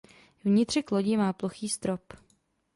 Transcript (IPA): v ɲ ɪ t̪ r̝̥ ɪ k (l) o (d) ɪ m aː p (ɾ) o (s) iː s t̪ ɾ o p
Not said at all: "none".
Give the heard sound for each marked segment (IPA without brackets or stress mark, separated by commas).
l, ɟ, l, x